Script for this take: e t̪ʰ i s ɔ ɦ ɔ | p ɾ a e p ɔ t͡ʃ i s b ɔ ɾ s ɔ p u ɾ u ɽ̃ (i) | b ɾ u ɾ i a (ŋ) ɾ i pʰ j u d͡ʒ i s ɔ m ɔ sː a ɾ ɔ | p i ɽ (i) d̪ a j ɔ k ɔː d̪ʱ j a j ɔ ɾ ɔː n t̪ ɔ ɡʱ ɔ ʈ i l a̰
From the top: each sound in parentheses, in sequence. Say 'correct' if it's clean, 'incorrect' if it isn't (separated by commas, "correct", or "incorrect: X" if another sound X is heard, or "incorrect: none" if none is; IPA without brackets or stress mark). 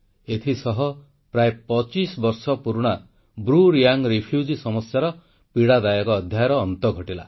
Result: incorrect: a, correct, incorrect: a